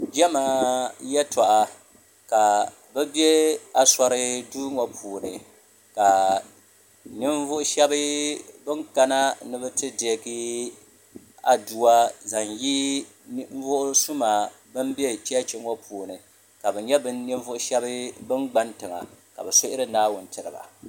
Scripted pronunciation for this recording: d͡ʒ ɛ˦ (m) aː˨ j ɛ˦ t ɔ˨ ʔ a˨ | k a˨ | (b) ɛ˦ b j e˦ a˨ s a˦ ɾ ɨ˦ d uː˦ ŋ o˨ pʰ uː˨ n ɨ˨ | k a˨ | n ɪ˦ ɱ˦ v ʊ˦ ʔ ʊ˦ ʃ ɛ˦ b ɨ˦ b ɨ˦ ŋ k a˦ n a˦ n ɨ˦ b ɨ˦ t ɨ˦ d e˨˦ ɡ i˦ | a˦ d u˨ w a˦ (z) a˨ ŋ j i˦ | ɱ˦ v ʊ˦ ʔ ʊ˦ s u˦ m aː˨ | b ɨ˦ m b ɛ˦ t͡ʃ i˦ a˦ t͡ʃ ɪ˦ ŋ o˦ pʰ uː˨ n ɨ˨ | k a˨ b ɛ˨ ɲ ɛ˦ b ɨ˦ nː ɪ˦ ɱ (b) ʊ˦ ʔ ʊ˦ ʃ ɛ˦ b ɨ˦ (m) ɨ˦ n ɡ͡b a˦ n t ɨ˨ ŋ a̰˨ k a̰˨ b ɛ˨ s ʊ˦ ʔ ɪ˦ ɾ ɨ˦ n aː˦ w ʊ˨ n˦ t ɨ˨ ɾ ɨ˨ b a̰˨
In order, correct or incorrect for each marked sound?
correct, correct, correct, incorrect: v, incorrect: b

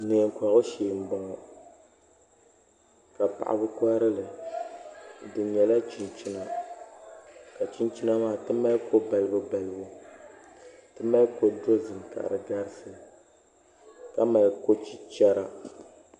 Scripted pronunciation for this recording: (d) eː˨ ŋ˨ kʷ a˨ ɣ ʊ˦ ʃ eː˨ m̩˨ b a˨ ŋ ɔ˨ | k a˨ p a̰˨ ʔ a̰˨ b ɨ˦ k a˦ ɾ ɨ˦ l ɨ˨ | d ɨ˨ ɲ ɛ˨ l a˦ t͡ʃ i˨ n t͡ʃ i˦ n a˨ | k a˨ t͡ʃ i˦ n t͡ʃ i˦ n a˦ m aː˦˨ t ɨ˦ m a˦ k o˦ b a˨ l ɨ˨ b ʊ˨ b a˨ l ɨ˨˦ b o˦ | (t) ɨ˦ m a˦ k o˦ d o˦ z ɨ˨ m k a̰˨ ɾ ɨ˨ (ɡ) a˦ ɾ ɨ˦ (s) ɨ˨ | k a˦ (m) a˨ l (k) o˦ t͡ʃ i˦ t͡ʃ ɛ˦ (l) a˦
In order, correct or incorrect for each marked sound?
incorrect: n, correct, correct, correct, correct, correct, incorrect: ɾ

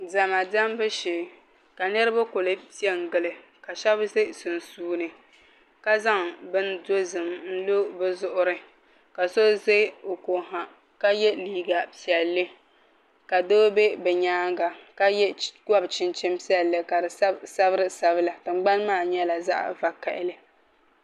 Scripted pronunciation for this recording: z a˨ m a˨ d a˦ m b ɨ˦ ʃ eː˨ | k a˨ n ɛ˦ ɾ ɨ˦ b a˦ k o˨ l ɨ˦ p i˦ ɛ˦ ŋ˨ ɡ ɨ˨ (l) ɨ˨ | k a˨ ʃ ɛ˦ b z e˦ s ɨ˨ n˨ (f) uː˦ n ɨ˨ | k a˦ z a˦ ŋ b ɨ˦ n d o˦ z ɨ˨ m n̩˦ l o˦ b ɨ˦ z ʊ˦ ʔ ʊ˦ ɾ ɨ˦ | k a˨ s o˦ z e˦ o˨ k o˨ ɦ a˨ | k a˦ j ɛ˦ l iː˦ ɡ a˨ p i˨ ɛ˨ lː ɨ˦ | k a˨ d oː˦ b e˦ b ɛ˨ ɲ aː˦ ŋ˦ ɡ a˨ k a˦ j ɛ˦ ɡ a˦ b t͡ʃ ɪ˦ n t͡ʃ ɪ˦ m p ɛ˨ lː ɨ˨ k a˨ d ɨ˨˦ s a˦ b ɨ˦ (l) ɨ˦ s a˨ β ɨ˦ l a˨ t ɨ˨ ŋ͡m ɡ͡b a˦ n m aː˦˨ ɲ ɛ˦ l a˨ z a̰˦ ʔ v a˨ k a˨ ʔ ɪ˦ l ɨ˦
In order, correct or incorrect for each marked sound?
correct, incorrect: s, incorrect: ɾ

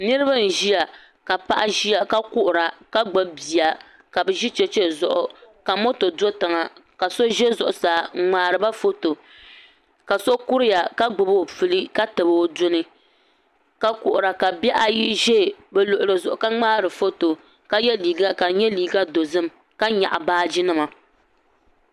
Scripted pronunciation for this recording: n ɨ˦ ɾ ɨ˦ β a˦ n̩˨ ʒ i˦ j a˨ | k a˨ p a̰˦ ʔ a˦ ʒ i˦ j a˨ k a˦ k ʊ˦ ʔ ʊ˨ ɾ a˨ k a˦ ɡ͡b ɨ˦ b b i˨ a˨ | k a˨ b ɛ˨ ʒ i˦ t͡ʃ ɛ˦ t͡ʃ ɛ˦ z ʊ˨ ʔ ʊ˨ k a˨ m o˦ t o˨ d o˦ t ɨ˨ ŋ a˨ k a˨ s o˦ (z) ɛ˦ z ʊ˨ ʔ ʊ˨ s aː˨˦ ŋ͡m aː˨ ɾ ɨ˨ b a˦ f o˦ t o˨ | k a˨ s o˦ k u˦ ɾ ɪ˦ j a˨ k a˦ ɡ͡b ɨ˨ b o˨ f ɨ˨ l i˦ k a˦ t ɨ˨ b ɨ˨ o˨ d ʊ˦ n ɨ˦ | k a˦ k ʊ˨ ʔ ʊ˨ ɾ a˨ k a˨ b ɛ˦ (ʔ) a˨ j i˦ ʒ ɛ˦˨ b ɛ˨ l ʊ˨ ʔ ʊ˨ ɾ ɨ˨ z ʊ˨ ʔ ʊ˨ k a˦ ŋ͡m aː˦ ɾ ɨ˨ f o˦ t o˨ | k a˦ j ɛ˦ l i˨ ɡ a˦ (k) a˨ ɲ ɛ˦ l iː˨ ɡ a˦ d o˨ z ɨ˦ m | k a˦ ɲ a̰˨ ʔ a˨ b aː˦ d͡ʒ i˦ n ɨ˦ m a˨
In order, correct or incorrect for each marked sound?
incorrect: ʒ, correct, correct

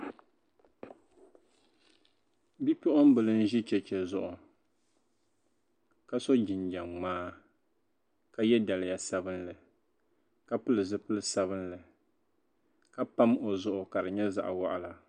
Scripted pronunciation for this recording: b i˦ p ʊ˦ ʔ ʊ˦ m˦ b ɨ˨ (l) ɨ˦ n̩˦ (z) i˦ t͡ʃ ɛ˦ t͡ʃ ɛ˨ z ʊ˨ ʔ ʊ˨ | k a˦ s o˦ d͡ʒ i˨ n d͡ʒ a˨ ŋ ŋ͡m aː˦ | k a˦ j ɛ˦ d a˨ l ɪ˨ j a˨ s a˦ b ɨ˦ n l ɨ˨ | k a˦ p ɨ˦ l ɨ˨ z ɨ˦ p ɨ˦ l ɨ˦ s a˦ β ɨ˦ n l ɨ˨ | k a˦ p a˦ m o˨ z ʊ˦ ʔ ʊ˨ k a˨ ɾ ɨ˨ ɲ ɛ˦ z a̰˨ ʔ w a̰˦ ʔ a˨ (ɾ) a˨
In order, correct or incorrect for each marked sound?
correct, incorrect: ʒ, incorrect: l

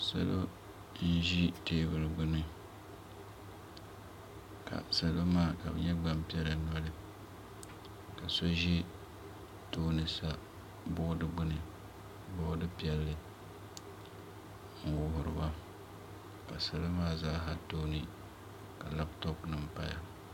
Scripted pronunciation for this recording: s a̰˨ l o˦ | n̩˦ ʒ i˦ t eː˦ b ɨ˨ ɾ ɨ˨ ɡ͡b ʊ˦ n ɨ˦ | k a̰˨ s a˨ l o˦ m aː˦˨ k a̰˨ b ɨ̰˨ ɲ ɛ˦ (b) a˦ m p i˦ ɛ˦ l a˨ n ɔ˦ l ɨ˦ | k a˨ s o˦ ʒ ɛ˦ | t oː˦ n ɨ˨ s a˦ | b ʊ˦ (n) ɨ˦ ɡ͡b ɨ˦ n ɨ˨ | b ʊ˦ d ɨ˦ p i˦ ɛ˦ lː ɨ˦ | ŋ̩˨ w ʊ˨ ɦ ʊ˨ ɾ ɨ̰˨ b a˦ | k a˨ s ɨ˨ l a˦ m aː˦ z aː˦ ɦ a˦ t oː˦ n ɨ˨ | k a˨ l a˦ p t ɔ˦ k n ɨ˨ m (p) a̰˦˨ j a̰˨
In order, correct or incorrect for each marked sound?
incorrect: ɡ͡b, incorrect: d, correct

